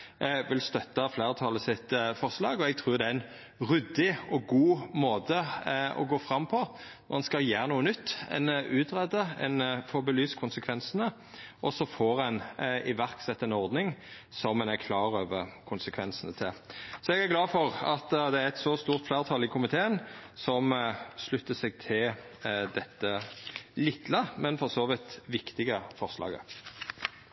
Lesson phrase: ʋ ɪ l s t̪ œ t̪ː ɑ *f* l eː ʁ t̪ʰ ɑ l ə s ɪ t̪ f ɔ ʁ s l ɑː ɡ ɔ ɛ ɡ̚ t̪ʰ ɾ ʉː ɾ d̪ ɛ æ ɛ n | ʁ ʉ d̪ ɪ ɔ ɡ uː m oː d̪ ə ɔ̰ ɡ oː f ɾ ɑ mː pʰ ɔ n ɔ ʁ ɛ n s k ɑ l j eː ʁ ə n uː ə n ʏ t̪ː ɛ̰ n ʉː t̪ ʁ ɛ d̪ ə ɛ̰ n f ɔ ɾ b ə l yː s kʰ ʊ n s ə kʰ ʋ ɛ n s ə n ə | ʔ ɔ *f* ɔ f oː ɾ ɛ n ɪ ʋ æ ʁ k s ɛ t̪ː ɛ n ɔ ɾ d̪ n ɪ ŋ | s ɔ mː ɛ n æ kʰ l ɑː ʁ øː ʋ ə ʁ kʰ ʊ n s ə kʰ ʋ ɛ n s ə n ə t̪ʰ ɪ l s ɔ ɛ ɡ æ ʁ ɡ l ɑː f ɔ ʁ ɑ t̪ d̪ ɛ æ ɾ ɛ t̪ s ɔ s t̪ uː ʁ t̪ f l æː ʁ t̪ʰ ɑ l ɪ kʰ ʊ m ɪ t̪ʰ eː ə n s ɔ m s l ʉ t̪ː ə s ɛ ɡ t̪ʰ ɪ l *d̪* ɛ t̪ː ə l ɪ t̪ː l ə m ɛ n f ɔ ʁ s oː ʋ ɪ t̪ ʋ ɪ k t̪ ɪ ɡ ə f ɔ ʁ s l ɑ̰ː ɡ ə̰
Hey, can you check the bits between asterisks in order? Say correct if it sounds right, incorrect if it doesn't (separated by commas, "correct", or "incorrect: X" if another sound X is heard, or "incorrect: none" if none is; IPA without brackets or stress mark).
correct, incorrect: s, correct